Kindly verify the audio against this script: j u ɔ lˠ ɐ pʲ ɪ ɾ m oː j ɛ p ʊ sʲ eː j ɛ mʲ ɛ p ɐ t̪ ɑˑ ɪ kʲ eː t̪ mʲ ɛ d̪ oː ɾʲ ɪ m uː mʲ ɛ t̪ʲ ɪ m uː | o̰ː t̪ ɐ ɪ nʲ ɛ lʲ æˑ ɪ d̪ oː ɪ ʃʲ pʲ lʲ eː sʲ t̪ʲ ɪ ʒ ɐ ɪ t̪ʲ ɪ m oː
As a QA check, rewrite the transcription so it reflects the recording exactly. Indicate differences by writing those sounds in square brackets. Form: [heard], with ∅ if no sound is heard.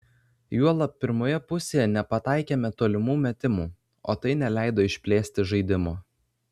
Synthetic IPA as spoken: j u ɔ lˠ ɐ pʲ ɪ ɾ m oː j ɛ p ʊ sʲ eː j ɛ [nʲ] ɛ p ɐ t̪ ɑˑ ɪ kʲ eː [∅] mʲ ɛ [t̪] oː [lʲ] ɪ m uː mʲ ɛ t̪ʲ ɪ m uː | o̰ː t̪ ɐ ɪ nʲ ɛ lʲ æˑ ɪ d̪ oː ɪ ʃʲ pʲ lʲ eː sʲ t̪ʲ ɪ ʒ ɐ ɪ [d̪ʲ] ɪ m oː